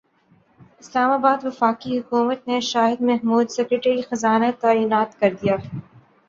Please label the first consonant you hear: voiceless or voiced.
voiceless